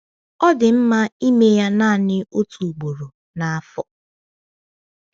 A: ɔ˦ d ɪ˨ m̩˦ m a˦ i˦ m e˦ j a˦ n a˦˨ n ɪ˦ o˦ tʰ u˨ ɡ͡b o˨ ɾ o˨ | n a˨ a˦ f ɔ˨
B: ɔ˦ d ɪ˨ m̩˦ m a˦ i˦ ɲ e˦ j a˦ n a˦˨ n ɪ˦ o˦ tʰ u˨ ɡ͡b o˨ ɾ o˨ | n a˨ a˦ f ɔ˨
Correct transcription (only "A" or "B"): A